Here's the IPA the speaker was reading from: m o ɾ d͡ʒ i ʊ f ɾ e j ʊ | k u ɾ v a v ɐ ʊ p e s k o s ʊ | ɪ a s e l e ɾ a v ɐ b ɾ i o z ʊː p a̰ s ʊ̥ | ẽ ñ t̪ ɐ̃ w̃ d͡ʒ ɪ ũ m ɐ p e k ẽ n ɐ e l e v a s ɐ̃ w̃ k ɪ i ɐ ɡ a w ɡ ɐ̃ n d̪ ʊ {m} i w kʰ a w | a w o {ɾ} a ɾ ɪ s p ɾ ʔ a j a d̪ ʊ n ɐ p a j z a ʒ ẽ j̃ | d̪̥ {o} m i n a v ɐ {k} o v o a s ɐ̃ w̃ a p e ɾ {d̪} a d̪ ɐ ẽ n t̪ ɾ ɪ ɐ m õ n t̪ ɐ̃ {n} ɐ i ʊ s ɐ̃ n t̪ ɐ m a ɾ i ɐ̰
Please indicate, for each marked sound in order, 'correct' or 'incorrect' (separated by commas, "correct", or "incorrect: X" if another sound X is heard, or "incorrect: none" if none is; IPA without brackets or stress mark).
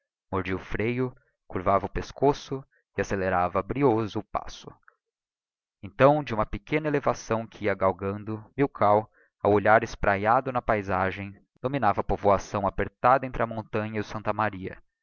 correct, incorrect: ʎ, correct, incorrect: p, incorrect: t̪, incorrect: ɲ